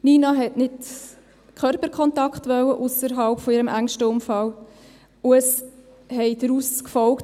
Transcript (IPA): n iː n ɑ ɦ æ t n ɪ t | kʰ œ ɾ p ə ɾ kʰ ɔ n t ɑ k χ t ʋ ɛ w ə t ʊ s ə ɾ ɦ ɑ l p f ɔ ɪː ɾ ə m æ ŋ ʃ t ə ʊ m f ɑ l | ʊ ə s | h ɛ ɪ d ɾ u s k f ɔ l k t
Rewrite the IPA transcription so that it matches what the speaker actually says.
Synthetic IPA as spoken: n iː n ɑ ɦ ɛ t n ɪ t | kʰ œ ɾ p ə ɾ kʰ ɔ n t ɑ k χ t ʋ œ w ə ʔ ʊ s ə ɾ ɦ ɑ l p f ɔ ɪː ɾ ə m æ ŋ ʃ t ə ʊ m f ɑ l | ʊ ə s | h ɛ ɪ d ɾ u s k f ɔ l k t

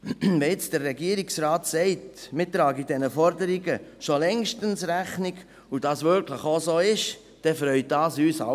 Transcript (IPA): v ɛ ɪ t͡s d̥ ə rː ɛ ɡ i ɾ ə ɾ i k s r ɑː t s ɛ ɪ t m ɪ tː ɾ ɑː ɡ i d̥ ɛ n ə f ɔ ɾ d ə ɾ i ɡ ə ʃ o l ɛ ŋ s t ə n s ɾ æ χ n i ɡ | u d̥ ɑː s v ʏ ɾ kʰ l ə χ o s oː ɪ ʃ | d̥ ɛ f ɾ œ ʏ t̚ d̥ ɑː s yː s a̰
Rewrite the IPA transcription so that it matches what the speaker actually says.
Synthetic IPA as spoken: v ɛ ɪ t͡s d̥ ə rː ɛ ɡ i ə ɾ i k s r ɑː t s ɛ ɪ t m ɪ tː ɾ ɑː ɡ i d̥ ɛ n ə f ɔ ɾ d ə ɾ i ɡ ə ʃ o l ɛ ŋ ʃ t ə n s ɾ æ χ n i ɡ | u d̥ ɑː s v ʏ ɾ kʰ l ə χ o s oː ɪ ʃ | d̥ ɛ f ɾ œ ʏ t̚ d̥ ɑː s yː s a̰

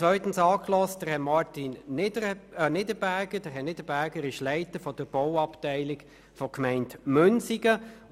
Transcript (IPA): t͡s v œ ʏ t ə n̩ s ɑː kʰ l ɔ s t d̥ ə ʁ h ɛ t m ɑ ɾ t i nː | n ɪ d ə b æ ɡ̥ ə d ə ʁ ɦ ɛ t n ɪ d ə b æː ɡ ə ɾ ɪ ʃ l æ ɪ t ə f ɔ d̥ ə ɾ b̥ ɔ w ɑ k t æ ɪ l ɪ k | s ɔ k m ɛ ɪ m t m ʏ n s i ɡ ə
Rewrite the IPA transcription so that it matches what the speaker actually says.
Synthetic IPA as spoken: t͡s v œ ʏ t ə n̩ s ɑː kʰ l ɔ s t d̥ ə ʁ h ɛ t m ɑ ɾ t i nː | n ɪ d ə b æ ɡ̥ ə d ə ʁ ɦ ɛ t n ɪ d ə b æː ɡ ə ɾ ɪ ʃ l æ ɪ t ə f ɔ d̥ ə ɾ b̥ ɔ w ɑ p t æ ɪ l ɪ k | f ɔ k m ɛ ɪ n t m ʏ n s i ɡ ə

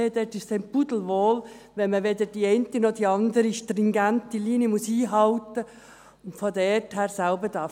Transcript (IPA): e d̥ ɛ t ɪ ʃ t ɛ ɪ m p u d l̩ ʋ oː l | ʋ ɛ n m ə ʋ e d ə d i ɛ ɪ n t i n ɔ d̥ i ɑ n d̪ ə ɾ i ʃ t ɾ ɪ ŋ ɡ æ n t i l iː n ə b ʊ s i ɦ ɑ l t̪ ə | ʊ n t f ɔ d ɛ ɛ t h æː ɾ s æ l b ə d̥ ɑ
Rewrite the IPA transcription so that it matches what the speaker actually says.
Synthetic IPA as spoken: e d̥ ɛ t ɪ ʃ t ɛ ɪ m p u d l̩ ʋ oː l | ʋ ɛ n m ə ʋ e d ə d i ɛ ɪ n t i n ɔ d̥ i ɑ n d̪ ə ɾ i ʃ t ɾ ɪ ŋ ɡ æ n t i l iː n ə m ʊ s iː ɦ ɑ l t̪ ə | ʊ n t f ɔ d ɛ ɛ t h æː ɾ s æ l b ə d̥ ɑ

